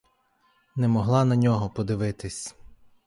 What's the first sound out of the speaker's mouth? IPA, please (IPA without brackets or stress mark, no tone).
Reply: n